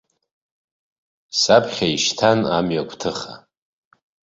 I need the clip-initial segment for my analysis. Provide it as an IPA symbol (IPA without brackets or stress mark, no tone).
s